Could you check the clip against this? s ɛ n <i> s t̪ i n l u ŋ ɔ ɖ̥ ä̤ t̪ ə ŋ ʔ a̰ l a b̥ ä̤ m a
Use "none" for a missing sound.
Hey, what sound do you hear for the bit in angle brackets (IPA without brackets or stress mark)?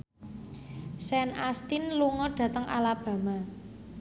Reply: a